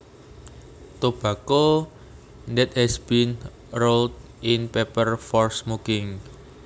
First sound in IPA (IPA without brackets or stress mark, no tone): t̪